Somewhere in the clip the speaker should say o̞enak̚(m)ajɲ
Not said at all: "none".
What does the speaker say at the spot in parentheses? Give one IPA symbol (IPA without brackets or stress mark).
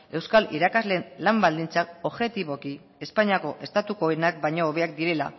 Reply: b